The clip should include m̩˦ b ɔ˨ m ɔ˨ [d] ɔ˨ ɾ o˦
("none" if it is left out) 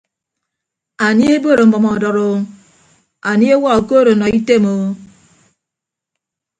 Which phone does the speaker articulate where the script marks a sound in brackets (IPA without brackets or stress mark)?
d